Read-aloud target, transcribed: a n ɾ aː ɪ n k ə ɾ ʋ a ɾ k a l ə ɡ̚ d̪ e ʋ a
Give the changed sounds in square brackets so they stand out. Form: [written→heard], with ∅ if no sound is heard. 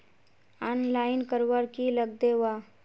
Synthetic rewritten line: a n [ɾ→l] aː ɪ n k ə ɾ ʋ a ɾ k [a→i] l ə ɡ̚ d̪ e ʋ a

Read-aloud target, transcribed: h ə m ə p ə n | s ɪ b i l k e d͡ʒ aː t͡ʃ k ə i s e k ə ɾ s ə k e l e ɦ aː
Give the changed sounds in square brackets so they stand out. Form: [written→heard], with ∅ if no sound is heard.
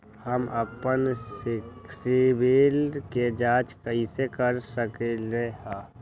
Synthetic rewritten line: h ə m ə p ə n | s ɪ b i l k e d͡ʒ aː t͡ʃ k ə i s e k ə ɾ s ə k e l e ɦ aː

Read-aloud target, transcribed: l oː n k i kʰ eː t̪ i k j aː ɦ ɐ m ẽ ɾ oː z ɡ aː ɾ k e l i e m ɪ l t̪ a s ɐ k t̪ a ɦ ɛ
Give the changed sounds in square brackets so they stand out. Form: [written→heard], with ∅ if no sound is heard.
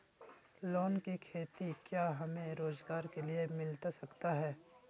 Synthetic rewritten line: l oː n k i kʰ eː t̪ i k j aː ɦ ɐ m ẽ ɾ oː z ɡ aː ɾ k e l i e m ɪ l t̪ a s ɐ k t̪ a ɦ [ɛ→ɛː]

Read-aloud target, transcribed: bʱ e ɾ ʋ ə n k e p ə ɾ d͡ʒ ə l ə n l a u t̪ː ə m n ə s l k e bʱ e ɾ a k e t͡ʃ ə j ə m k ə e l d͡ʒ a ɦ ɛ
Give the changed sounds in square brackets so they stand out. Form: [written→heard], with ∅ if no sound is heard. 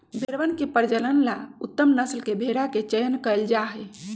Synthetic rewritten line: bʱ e ɾ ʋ ə n k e p ə ɾ d͡ʒ ə l ə n l a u t̪ː ə m n ə s l k e bʱ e ɾ a k e t͡ʃ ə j ə [m→n] k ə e l d͡ʒ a ɦ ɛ

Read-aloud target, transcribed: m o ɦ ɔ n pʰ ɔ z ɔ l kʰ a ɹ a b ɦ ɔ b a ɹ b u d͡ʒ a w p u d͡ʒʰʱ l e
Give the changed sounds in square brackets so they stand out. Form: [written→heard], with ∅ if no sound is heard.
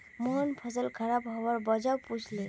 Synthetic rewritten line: m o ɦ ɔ n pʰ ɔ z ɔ l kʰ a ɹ a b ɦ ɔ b a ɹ b [u→ɔ] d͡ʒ a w p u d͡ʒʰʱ l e

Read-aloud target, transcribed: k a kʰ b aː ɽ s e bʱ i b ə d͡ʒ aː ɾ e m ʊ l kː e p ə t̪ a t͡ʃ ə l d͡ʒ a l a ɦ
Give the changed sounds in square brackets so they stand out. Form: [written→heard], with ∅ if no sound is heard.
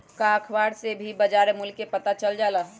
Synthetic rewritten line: k a kʰ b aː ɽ s e bʱ i b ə d͡ʒ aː ɾ e m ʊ l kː e p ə t̪ a t͡ʃ ə l d͡ʒ a l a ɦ

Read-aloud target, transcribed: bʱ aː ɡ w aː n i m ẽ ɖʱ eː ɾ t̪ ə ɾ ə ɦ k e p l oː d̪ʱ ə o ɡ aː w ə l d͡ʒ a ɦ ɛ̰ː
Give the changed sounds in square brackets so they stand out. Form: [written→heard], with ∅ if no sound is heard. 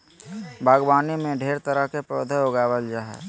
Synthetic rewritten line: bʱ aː ɡ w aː n i m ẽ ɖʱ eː ɾ t̪ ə ɾ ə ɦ k e p [l→ɾ] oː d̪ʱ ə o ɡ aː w ə l d͡ʒ a ɦ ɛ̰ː

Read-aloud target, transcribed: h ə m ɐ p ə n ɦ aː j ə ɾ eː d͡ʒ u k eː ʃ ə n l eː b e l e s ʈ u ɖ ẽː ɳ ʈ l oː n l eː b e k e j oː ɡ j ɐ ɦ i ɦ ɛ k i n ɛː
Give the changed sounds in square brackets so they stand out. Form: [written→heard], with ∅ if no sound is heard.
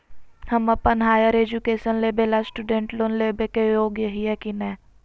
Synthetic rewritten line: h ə m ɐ p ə n ɦ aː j ə ɾ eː d͡ʒ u k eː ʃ ə n l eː b e l [e→a] s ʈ u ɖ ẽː ɳ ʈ l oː n l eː b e k e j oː ɡ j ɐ ɦ i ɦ ɛ k i n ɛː

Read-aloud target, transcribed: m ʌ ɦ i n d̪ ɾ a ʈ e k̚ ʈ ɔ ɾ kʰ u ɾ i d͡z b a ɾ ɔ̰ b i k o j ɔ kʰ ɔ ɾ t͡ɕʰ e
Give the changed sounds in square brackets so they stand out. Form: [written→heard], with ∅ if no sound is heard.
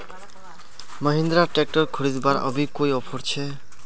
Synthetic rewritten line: m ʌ ɦ i n d̪ ɾ a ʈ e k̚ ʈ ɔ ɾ kʰ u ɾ i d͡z b a ɾ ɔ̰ b i k o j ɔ [kʰ→pʰ] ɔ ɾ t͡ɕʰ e

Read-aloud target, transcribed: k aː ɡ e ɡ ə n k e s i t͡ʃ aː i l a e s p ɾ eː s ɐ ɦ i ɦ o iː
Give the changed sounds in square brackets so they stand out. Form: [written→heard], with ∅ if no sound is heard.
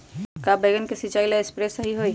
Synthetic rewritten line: k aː [ɡ→b] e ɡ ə n k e s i t͡ʃ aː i l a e s p ɾ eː s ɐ ɦ i ɦ o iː

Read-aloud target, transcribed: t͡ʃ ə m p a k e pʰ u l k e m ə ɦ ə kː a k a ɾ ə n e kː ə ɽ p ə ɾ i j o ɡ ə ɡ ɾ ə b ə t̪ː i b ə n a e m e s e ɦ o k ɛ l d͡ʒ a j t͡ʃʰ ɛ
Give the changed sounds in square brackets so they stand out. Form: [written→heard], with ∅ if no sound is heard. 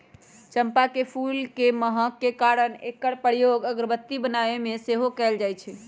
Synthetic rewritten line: t͡ʃ ə m p a k e pʰ u l k e m ə ɦ ə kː [a→e] k a ɾ ə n e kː ə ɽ p ə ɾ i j o ɡ ə ɡ ɾ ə b ə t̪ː i b ə n a e m e s e ɦ o k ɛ l d͡ʒ a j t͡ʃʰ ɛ

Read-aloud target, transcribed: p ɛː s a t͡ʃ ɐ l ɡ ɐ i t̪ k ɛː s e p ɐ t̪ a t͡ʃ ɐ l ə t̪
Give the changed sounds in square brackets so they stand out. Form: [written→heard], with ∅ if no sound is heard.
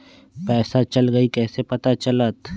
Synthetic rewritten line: p ɛː s a t͡ʃ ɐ l ɡ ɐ i [t̪→∅] k ɛː s e p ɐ t̪ a t͡ʃ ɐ l ə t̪

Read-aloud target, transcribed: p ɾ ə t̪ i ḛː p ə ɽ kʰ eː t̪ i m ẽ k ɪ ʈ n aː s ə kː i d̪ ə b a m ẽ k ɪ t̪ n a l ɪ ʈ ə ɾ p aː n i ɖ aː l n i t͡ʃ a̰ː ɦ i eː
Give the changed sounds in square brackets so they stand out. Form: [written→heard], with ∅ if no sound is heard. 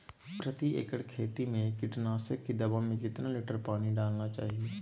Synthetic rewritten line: p ɾ ə t̪ i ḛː [p→k] ə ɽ kʰ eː t̪ i m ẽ k ɪ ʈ n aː s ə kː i d̪ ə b a m ẽ k ɪ t̪ n a l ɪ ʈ ə ɾ p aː n i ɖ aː l n [i→a] t͡ʃ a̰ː ɦ i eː

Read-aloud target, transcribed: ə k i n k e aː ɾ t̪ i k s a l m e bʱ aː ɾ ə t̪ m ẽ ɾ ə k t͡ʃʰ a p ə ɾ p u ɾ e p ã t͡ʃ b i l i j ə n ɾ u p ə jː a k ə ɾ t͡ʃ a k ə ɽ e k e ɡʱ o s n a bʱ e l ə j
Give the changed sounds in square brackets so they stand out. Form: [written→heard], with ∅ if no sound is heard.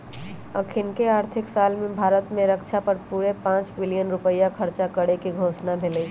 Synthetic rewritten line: ə [k→kʰ] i n k e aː ɾ [t̪→t̪ʰ] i k s a l m e bʱ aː ɾ ə t̪ m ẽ ɾ ə k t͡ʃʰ a p ə ɾ p u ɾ e p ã t͡ʃ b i l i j ə n ɾ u p ə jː a [k→kʰ] ə ɾ t͡ʃ a k ə ɽ e k e ɡʱ o s n a bʱ e l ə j

